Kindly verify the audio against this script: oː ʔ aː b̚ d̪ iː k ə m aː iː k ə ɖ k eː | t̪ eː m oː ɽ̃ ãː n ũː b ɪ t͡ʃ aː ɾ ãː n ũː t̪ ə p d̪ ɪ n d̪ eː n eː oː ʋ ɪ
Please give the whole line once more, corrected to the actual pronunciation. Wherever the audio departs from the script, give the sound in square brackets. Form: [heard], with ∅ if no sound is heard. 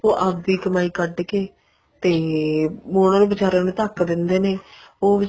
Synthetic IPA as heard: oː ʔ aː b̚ d̪ iː k ə m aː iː k ə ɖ k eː | t̪ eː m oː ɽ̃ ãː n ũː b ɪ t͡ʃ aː ɾ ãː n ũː t̪ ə [k] d̪ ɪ n d̪ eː n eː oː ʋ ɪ